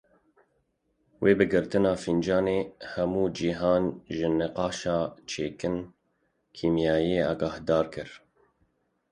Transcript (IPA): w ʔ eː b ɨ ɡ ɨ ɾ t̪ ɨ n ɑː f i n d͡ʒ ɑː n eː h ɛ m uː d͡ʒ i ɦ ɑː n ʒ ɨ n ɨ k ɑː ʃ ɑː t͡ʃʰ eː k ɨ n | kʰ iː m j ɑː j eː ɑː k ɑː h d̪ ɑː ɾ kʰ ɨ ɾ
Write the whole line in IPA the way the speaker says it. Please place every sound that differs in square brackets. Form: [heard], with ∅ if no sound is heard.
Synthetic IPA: w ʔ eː b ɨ ɡ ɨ ɾ t̪ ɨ n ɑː f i n d͡ʒ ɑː n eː h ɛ m uː d͡ʒ i ɦ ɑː n ʒ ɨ n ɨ [q] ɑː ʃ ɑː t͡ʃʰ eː k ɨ n | kʰ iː m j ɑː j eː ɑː [ɡ] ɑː h d̪ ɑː ɾ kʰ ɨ ɾ

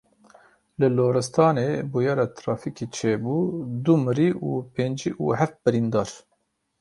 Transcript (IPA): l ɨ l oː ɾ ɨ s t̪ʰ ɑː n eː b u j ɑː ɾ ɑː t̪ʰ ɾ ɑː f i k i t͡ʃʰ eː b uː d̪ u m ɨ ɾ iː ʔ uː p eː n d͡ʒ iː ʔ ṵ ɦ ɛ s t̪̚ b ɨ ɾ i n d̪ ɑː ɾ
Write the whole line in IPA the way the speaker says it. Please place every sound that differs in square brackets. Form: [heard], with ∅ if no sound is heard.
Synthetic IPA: l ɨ l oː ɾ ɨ s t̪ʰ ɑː n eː b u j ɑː ɾ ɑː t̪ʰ ɾ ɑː f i k i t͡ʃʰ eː b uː d̪ u m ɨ ɾ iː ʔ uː p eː n d͡ʒ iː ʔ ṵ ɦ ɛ [f] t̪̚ b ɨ ɾ i n d̪ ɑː ɾ

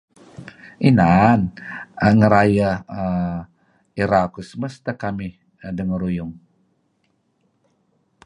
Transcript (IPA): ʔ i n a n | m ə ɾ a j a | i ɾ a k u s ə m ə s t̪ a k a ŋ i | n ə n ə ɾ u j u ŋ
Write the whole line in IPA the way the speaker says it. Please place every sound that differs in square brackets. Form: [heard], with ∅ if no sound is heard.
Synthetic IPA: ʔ i n a n | [ŋ] ə ɾ a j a | i ɾ a k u s ə m ə s t̪ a k a [m] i | [d] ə [ŋ] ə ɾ u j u ŋ

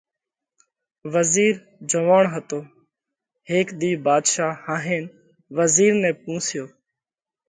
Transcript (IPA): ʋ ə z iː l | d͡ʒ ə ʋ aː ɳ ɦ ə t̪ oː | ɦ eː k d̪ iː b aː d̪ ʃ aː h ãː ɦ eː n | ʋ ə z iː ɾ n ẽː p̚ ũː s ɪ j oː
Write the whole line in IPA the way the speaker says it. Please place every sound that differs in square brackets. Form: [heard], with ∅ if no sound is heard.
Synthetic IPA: ʋ ə z iː [ɾ] | d͡ʒ ə ʋ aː ɳ ɦ ə t̪ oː | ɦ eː k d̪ iː b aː d̪ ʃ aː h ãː ɦ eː n | ʋ ə z iː ɾ n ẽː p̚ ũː s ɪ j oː

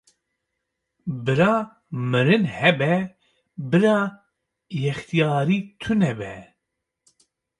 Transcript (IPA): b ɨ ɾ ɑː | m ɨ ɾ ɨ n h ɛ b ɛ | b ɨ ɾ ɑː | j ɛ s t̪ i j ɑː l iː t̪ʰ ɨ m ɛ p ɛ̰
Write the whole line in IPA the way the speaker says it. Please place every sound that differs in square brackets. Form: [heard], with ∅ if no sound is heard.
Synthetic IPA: b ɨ ɾ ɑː | m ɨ ɾ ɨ n h ɛ b ɛ | b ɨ ɾ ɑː | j ɛ [x] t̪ i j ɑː [ɾ] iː t̪ʰ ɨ [n] ɛ [b] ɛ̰

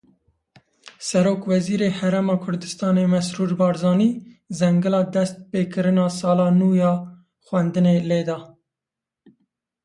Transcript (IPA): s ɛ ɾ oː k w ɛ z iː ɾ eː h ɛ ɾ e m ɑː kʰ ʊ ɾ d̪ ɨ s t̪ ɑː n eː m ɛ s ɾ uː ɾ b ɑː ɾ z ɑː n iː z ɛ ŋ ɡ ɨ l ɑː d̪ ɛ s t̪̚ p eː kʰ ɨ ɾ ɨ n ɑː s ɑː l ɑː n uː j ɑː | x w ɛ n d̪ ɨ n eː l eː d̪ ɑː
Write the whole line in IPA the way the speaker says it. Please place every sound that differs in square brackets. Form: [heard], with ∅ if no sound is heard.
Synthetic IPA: s ɛ ɾ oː k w ɛ z iː ɾ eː h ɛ ɾ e m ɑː kʰ ʊ ɾ d̪ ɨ s t̪ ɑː n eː m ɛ s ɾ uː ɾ b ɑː ɾ z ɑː n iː z ɛ ŋ ɡ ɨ l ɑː d̪ ɛ s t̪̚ p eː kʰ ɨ ɾ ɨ n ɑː s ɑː l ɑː n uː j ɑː | x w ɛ n d̪ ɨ n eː l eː d̪ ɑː

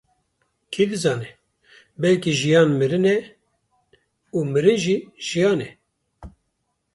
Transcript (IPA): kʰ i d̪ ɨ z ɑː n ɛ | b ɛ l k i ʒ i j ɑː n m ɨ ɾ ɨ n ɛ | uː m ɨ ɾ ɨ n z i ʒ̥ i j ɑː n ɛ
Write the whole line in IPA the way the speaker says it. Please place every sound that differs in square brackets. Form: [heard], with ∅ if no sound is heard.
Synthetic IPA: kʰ i d̪ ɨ z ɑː n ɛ | b ɛ l k i ʒ i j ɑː n m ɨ ɾ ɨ n ɛ | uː m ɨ ɾ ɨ n [ʒ] i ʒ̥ i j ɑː n ɛ

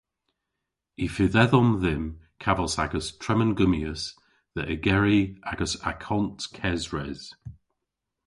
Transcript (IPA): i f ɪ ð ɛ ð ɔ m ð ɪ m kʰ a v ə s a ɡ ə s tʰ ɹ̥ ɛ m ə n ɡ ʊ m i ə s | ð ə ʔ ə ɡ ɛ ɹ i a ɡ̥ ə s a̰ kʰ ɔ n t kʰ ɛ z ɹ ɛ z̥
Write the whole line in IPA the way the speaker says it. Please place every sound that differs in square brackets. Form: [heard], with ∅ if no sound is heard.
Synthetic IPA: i f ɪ ð ɛ ð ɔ m ð ɪ m kʰ a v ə s a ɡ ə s tʰ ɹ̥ ɛ m ə n ɡ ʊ m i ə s | ð ə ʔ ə ɡ ɛ ɹ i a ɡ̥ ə s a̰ kʰ ɔ n t kʰ ɛ z ɹ ɛ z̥

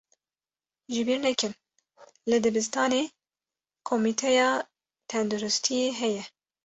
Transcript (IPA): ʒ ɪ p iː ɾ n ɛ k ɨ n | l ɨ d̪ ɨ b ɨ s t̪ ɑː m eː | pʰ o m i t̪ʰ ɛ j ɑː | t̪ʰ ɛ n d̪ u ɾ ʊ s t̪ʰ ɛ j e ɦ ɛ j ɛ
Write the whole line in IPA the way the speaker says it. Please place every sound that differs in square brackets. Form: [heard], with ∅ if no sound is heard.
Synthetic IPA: ʒ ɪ [b] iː ɾ n ɛ k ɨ n | l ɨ d̪ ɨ b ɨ s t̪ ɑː [n] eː | [kʰ] o m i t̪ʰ ɛ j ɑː | t̪ʰ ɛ n d̪ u ɾ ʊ s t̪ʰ [i] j e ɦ ɛ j ɛ

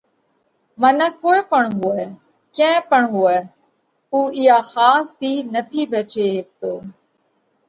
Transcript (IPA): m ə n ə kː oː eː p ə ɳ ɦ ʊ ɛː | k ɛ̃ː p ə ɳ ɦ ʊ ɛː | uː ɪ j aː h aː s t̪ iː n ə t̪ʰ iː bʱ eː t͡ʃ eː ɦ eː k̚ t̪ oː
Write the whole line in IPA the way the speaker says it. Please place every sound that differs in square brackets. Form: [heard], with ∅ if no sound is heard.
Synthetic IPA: m ə n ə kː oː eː p ə ɳ ɦ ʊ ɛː | k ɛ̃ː p ə ɳ ɦ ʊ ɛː | uː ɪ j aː [x] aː s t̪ iː n ə t̪ʰ iː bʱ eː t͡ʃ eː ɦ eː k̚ t̪ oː

